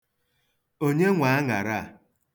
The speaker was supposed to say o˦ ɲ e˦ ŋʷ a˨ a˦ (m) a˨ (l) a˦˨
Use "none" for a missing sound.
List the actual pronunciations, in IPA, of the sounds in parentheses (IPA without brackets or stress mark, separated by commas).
ŋ, ɾ